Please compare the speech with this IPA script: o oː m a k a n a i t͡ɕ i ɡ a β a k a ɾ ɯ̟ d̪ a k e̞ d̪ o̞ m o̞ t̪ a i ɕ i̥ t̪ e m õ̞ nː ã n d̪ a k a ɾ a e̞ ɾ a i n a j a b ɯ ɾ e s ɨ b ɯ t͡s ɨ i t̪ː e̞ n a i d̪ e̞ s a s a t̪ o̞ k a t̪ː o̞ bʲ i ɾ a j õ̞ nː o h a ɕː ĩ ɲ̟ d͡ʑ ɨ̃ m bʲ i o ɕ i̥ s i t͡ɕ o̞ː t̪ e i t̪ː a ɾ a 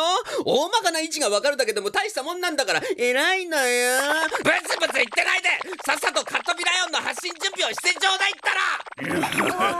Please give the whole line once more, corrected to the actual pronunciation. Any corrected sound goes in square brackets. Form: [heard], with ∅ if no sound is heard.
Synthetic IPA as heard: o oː m a k a n a i t͡ɕ i ɡ a β a k a ɾ ɯ̟ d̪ a k e̞ d̪ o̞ m o̞ t̪ a i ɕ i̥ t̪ [a] m õ̞ nː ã n d̪ a k a ɾ a e̞ ɾ a i n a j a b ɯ ɾ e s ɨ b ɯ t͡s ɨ i t̪ː e̞ n a i d̪ e̞ s a s a t̪ o̞ k a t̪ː o̞ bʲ i ɾ a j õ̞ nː o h a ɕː ĩ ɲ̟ d͡ʑ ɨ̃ m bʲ i o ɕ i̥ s [e] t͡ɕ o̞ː [d̪] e i t̪ː a ɾ a